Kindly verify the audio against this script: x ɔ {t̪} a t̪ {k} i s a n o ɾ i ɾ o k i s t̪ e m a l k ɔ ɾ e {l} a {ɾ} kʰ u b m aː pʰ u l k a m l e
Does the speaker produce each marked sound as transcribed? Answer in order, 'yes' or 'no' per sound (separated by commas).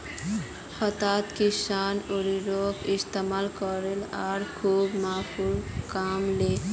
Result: yes, yes, yes, yes